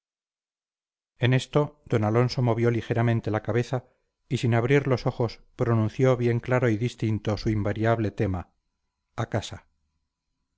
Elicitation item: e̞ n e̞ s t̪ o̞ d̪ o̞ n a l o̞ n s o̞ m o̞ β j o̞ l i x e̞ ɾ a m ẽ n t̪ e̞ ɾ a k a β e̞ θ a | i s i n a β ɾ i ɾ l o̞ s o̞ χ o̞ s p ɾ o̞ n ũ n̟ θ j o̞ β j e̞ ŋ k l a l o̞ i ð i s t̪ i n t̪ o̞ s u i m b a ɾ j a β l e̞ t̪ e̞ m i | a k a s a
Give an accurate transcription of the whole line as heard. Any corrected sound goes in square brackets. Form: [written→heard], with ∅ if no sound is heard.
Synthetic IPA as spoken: e̞ n e̞ s t̪ o̞ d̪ o̞ n a l o̞ n s o̞ m o̞ β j o̞ l i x e̞ ɾ a m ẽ n t̪ e̞ [ɾ→l] a k a β e̞ θ a | i s i n a β ɾ i ɾ l o̞ s o̞ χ o̞ s p ɾ o̞ n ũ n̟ θ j o̞ β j e̞ ŋ k l a [l→ɾ] o̞ i ð i s t̪ i n t̪ o̞ s u i m b a ɾ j a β l e̞ t̪ e̞ m [i→a] | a k a s a